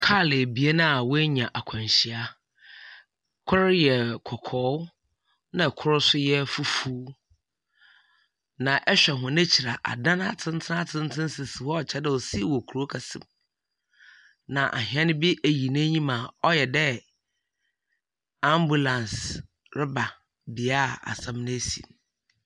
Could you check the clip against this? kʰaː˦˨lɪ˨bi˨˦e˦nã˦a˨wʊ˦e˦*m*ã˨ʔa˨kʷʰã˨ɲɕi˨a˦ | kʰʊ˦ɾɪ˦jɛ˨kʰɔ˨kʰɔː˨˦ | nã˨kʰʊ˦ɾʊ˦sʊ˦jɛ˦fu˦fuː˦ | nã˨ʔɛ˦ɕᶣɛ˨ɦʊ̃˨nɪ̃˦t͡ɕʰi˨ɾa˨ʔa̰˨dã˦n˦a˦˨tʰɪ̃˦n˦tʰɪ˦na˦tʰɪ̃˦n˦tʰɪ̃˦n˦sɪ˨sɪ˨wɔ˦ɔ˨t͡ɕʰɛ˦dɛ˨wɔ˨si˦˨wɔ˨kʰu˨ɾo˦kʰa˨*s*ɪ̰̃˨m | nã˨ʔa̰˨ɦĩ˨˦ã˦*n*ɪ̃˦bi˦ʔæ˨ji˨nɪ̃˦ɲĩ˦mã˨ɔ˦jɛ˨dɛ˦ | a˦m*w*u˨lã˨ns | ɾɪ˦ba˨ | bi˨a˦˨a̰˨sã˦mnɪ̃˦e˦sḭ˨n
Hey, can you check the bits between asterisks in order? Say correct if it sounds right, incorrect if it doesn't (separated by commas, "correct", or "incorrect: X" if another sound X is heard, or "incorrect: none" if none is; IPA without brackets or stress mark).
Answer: incorrect: ɲ, correct, correct, incorrect: b